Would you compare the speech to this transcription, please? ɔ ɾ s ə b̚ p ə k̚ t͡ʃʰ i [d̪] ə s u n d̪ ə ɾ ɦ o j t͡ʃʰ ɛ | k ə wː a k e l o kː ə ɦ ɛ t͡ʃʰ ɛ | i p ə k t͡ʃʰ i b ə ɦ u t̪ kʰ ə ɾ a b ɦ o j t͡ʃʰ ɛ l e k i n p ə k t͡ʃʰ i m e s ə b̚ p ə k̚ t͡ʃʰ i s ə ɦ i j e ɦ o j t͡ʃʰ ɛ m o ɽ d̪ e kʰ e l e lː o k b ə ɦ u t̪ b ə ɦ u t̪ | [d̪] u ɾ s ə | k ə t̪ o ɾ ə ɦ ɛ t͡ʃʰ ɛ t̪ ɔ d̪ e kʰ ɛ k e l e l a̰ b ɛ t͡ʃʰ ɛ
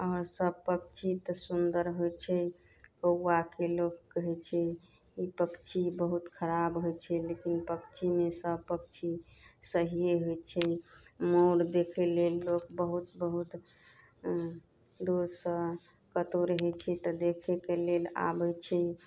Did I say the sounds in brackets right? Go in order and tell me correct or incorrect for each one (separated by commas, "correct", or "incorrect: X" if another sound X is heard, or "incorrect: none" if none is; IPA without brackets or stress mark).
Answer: incorrect: t̪, correct